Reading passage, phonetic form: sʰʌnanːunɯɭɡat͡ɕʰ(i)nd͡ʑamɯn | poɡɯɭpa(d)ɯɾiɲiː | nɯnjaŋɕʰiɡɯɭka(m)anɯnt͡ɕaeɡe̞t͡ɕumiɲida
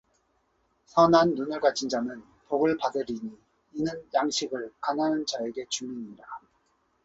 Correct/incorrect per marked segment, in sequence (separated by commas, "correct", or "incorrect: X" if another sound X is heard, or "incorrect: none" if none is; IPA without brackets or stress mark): correct, correct, incorrect: n